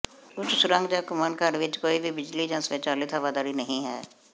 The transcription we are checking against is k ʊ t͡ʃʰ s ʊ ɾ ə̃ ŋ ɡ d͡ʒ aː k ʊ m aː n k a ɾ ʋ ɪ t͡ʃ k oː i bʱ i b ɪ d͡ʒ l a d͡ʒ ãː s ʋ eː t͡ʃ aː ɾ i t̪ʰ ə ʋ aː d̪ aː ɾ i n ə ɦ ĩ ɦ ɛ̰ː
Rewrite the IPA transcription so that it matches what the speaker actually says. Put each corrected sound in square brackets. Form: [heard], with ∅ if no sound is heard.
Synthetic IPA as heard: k ʊ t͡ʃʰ s ʊ ɾ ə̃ ŋ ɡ d͡ʒ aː k ʊ m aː n k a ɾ ʋ ɪ t͡ʃ k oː i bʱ i b ɪ d͡ʒ l [i] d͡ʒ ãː s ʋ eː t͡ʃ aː [l] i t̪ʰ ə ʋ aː d̪ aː ɾ i n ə ɦ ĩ ɦ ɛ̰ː